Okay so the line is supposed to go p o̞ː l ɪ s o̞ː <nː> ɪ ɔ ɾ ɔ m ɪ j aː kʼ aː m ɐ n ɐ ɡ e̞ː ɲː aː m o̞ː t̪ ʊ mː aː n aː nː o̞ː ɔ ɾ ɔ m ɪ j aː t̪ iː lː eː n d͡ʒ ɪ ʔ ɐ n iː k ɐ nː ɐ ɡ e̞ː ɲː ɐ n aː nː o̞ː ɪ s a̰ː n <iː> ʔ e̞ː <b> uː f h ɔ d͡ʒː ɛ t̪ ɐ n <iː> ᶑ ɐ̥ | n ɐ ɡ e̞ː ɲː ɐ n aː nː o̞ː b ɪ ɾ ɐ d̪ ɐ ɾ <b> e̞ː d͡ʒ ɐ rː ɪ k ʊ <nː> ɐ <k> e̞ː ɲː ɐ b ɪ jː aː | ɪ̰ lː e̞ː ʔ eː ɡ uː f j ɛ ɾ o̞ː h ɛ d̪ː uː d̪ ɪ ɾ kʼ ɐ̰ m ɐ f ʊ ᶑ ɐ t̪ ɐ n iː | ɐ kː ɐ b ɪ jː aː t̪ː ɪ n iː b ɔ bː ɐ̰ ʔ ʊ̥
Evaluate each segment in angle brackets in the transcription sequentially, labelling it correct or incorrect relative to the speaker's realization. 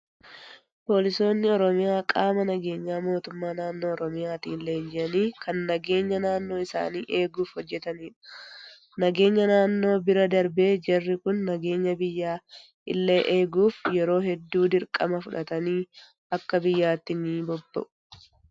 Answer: correct, correct, incorrect: ɡ, correct, correct, correct, incorrect: ɡ

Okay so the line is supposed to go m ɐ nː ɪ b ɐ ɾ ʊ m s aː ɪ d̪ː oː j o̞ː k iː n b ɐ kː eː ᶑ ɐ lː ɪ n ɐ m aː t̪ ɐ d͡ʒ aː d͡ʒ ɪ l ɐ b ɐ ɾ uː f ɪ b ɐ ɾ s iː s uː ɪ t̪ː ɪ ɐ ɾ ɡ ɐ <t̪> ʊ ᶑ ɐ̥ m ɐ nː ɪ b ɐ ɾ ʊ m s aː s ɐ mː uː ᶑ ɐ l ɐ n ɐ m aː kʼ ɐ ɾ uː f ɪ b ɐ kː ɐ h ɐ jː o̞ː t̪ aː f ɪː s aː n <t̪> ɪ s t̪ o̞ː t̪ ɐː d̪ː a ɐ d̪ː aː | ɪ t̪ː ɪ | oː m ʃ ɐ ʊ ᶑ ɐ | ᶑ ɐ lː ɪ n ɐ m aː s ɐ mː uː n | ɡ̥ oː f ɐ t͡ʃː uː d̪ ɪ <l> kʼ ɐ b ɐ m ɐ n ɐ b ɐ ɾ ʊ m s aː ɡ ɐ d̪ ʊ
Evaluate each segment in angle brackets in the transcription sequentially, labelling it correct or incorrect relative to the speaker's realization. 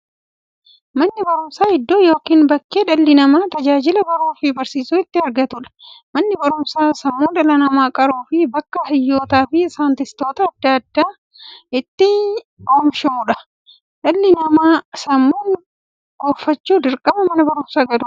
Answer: correct, correct, incorrect: ɾ

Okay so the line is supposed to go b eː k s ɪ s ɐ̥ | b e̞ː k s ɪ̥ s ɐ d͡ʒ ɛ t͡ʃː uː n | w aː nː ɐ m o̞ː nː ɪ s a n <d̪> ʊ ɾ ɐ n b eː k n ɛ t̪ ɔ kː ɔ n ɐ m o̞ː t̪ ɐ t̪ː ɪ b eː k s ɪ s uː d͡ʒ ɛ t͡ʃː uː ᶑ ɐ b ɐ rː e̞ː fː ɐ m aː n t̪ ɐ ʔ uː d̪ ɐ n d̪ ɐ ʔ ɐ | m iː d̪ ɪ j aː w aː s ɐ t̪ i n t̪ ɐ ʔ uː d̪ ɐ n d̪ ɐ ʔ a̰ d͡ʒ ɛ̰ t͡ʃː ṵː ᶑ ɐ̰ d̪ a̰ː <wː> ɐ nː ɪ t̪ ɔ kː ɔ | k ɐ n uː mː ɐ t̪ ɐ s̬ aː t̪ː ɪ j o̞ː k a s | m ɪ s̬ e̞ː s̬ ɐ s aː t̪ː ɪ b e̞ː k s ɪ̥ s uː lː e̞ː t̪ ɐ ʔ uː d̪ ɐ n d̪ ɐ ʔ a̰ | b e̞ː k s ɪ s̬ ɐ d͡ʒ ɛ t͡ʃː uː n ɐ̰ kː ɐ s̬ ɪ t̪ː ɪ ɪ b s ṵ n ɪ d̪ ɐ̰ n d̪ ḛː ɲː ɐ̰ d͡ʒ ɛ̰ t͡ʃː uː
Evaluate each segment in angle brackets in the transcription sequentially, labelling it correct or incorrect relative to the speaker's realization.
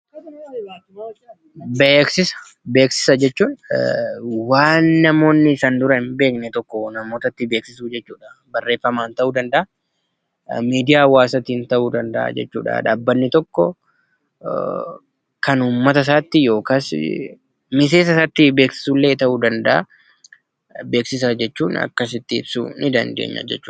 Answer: correct, incorrect: bː

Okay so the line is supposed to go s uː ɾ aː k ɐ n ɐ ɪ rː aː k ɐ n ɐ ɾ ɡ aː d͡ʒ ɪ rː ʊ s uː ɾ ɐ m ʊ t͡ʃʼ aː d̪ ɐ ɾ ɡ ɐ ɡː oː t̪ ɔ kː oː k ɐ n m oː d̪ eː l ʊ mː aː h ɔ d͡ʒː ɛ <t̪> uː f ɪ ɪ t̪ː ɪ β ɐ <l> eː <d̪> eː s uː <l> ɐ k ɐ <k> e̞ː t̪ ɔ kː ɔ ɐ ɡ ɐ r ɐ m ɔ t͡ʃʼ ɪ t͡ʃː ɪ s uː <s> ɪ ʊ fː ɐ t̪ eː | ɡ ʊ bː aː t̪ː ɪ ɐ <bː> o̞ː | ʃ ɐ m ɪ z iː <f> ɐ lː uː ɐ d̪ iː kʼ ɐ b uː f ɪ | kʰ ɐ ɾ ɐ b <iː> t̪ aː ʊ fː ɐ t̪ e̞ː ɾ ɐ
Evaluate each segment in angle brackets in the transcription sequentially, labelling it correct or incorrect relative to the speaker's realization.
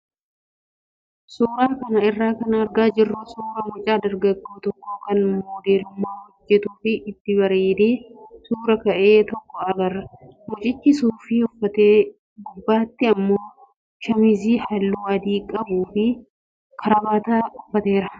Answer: correct, incorrect: ɾ, correct, incorrect: ɾ, incorrect: ʔ, incorrect: f, incorrect: mː, incorrect: h, incorrect: aː

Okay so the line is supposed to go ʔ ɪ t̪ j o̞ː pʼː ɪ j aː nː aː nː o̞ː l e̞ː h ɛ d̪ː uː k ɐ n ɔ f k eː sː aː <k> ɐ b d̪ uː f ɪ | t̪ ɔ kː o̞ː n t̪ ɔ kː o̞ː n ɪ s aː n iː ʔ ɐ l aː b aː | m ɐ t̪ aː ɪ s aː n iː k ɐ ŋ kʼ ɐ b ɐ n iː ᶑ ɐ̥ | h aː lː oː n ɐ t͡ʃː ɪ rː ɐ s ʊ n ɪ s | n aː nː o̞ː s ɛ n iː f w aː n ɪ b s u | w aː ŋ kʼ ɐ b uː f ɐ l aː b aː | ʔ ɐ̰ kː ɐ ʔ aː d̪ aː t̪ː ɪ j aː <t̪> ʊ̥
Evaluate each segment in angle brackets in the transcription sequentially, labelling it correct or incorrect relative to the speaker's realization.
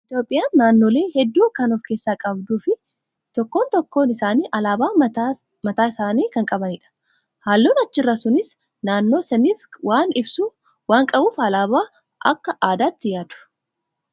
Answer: incorrect: kʼ, incorrect: d̪

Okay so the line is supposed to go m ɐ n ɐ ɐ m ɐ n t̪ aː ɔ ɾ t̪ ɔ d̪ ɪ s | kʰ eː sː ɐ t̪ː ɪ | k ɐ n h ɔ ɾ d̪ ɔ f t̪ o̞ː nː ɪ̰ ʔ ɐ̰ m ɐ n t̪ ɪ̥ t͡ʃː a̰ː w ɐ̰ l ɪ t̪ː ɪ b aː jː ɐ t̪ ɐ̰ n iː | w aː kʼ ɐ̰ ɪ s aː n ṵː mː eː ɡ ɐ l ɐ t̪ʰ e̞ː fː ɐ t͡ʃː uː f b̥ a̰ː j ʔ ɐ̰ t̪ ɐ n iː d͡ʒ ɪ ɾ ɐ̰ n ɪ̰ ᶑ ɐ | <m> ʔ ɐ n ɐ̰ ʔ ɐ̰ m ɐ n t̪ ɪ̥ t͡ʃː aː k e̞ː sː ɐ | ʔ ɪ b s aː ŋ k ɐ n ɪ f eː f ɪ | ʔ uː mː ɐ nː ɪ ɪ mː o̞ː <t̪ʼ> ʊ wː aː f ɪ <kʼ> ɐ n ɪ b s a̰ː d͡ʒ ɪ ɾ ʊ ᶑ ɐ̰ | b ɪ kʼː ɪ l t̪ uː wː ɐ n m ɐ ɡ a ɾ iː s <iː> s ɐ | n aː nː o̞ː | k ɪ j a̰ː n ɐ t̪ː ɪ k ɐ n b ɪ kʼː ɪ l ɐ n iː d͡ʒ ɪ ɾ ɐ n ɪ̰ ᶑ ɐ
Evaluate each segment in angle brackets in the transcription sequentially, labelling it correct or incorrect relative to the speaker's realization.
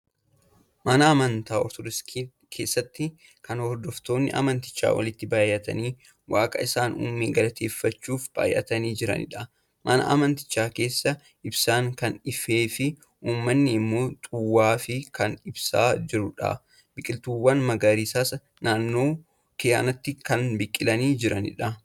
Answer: correct, correct, incorrect: k, incorrect: aː

